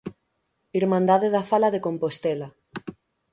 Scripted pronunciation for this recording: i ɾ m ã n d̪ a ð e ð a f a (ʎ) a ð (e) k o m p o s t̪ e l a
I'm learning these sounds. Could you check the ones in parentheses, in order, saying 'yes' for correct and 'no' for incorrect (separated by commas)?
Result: no, yes